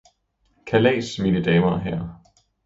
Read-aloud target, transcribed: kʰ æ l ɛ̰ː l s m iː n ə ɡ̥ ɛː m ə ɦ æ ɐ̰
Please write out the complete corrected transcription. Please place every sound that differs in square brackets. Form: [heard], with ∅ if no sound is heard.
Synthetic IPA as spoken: kʰ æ l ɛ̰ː [∅] s m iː n ə [d̥] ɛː m [ɐ] ɦ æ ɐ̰

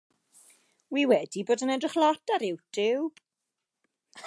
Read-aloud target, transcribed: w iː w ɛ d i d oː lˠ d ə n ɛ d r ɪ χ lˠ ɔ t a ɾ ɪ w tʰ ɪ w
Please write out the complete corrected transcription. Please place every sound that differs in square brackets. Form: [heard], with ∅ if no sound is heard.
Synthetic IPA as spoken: w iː w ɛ d i [b] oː [∅] d ə n ɛ d r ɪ χ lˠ ɔ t a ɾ ɪ w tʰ ɪ w

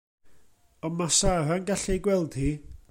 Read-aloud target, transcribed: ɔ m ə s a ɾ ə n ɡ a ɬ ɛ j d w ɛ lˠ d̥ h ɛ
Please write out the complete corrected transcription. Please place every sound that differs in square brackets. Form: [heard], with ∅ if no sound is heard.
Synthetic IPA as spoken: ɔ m [a] s a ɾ [a] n ɡ a ɬ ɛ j [ɡ] w ɛ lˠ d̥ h [i]

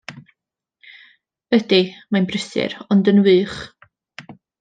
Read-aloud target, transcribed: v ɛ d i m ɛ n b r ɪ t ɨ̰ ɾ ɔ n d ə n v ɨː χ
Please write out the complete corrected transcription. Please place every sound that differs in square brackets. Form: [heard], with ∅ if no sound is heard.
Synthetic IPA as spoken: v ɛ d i m [a] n b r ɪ [s] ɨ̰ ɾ ɔ n d ə n [w] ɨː χ

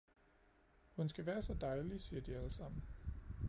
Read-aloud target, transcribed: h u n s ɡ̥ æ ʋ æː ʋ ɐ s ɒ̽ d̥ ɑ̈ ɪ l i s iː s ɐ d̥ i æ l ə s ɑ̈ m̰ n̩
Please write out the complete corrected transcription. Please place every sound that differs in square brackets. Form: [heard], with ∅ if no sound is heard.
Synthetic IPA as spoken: h u n s ɡ̥ æ ʋ æː [∅] ɐ s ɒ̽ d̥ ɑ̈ ɪ l i s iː [∅] ɐ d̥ i æ l ə s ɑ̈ m̰ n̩

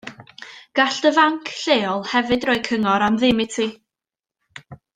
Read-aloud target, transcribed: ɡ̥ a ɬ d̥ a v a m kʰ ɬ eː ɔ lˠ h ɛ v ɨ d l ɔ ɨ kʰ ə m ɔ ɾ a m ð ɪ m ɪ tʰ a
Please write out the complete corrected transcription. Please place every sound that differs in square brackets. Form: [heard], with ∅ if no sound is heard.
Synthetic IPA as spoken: ɡ̥ a ɬ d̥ [ə] v a [ŋ] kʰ ɬ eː ɔ lˠ h ɛ v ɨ d [r] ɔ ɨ kʰ ə [ŋ] ɔ ɾ a m ð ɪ m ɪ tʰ [i]

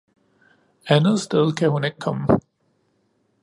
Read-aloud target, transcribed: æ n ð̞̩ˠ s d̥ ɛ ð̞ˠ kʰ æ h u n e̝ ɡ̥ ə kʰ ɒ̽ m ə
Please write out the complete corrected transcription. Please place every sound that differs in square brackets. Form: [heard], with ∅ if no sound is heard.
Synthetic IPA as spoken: æ n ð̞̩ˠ s d̥ [e] ð̞ˠ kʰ æ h u n e̝ ɡ̥ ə kʰ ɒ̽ m ə

